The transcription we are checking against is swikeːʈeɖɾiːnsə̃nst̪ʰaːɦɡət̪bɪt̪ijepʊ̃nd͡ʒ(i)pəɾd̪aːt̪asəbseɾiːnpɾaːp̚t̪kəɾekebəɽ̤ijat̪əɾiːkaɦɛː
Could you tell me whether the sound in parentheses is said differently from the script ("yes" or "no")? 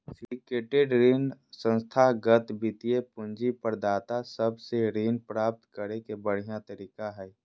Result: no